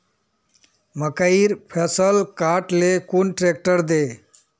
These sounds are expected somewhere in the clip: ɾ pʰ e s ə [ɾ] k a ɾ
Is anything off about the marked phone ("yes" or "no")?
yes